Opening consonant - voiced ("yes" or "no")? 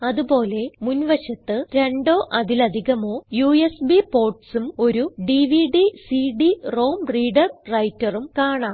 yes